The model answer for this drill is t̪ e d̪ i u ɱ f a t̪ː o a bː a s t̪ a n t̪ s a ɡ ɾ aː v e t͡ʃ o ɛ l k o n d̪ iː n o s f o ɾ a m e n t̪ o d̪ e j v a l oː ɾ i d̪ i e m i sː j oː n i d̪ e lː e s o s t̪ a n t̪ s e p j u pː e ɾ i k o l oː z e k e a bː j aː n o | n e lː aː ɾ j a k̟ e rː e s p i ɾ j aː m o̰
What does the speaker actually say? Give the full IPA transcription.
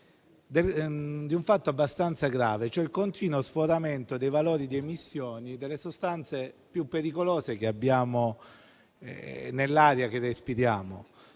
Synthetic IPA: d̪ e d̪ i u ɱ f a t̪ː o a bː a s t̪ a n t̪ s a ɡ ɾ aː v e t͡ʃ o ɛ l k o n t̪ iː n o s f o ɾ a m e n t̪ o d̪ e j v a l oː ɾ i d̪ i e m i sː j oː n i d̪ e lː e s o s t̪ a n t̪ s e p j u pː e ɾ i k o l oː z e k e a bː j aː m o | n e lː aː ɾ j a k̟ e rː e s p i ɾ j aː m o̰

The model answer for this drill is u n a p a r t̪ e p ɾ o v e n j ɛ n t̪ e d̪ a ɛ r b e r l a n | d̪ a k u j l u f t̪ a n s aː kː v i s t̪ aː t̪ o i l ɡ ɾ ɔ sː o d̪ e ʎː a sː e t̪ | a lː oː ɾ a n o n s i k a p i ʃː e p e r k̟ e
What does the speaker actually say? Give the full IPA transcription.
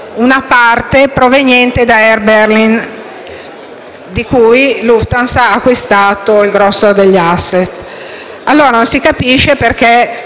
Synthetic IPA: u n a p a r t̪ e p ɾ o v e n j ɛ n t̪ e d̪ a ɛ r b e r l i n | d̪ i k u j l u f t̪ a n s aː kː w i s t̪ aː t̪ o i l ɡ ɾ ɔ sː o d̪ e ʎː a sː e t̪ | a lː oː ɾ a n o n s i k a p i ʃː e p e r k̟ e

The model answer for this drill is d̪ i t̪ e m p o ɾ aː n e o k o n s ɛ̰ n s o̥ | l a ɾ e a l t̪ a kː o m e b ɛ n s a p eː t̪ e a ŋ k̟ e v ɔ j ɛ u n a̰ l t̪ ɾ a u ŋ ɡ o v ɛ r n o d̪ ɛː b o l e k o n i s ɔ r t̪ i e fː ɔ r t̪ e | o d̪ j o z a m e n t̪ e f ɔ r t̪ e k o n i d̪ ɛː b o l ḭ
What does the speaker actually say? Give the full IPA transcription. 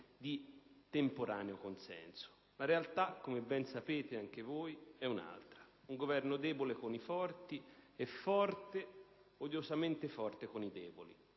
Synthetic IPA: d̪ i t̪ e m p o ɾ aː n e o k o n s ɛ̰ n s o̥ | l a ɾ e a l t̪ a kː o m e b ɛ n s a p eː t̪ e a ŋ k̟ e v o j ɛ u n a̰ l t̪ ɾ a u ŋ ɡ o v ɛ r n o d̪ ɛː b o l e k o n i f ɔ r t̪ i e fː ɔ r t̪ e | o d̪ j o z a m e n t̪ e f ɔ r t̪ e k o n i d̪ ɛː b o l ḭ

